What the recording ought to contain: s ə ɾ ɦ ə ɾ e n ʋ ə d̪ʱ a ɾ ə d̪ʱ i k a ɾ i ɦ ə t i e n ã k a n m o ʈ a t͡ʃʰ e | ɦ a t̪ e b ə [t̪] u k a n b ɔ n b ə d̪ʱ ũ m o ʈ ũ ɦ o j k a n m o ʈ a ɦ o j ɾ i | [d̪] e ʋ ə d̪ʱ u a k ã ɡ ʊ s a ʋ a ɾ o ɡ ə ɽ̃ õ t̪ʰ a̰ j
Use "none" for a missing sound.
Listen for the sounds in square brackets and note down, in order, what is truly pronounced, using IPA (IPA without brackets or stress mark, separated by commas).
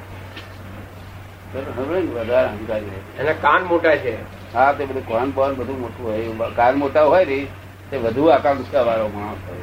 d̪, t̪